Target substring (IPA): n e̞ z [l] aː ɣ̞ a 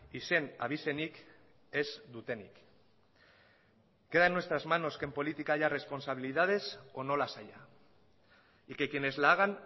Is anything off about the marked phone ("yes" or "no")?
no